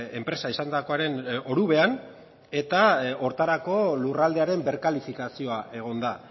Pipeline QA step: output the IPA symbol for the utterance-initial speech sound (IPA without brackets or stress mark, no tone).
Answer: e̞